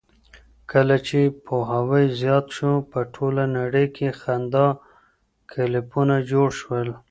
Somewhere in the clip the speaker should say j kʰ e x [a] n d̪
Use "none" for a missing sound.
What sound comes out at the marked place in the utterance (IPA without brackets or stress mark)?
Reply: a